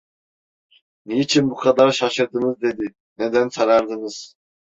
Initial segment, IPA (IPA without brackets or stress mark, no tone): n